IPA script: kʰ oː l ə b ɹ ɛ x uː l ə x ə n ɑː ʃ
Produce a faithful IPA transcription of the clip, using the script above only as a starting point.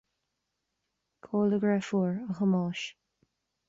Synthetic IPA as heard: kʰ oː l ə ɡ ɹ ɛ f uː ɹ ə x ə m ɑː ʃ